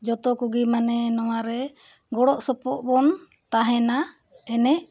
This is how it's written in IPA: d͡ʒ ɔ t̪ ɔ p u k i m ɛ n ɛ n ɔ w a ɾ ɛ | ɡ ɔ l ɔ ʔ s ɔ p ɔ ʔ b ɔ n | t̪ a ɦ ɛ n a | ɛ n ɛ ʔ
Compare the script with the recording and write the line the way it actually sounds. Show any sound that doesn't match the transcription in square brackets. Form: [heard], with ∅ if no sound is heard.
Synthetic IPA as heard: d͡ʒ ɔ t̪ ɔ [k] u [ɡ] i m [a] n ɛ n ɔ w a ɾ ɛ | ɡ ɔ [ɽ] ɔ ʔ s ɔ p ɔ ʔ b ɔ n | t̪ a ɦ ɛ n a | ɛ n ɛ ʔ